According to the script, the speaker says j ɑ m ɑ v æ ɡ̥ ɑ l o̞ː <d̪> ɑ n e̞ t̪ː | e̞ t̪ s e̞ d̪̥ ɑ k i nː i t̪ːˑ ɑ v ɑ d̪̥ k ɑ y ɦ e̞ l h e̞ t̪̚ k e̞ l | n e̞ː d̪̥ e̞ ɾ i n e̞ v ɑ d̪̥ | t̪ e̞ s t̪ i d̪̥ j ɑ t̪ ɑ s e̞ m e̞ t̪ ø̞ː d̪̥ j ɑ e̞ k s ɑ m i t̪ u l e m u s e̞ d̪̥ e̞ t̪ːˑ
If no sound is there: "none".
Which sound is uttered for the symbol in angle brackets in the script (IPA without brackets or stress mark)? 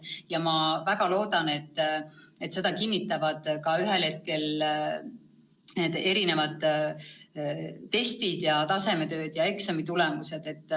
d̪